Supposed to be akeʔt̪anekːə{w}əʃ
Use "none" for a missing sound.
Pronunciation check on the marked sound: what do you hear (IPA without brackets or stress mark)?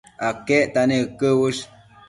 w